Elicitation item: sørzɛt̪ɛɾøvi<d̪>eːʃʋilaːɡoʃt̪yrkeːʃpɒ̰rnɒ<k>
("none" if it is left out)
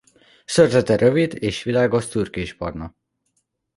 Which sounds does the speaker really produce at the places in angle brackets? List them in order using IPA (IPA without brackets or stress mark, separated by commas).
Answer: d̪, none